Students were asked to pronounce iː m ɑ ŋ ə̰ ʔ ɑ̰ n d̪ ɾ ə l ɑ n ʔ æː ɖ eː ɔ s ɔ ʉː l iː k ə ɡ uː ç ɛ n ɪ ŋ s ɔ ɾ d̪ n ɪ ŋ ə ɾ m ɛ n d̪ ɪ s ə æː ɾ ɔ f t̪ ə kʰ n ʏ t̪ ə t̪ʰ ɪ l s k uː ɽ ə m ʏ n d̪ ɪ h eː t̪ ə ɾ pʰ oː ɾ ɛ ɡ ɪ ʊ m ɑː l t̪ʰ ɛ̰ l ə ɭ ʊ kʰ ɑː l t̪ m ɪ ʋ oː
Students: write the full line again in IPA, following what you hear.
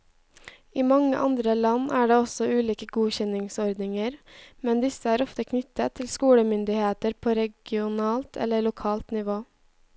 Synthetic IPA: iː m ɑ ŋ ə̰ ʔ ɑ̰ n d̪ ɾ ə l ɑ n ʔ æː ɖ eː ɔ s ɔ ʉː l iː k ə ɡ uː ç ɛ n ɪ ŋ s ɔ ɾ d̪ n ɪ ŋ ə ɾ m ɛ n d̪ ɪ s ə æː ɾ ɔ f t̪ ə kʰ n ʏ t̪ ə t̪ʰ ɪ l s k uː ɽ ə m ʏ n d̪ ɪ h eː t̪ ə ɾ pʰ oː ɾ ɛ ɡ ɪ ʊ n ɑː l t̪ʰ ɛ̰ l ə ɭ ʊ kʰ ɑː l t̪ n ɪ ʋ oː